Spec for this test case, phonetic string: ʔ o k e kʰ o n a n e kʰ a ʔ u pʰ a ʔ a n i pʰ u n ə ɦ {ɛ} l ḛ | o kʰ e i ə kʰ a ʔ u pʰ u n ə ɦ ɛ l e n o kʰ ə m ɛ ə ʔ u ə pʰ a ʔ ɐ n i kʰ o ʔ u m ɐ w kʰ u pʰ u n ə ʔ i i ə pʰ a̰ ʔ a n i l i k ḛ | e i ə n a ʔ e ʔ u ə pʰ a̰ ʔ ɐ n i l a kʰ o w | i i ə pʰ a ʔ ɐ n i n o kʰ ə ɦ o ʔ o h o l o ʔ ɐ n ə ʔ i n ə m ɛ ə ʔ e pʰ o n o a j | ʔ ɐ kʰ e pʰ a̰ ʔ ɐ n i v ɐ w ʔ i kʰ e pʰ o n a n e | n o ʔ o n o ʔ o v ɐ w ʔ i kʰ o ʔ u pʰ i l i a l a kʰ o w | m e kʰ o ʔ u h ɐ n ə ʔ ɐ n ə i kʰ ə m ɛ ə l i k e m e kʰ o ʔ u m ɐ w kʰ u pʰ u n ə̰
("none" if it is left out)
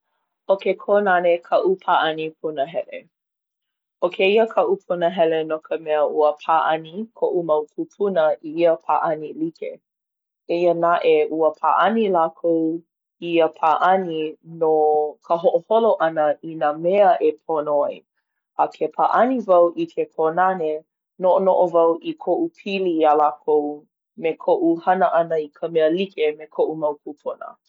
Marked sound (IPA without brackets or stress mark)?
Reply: ɛ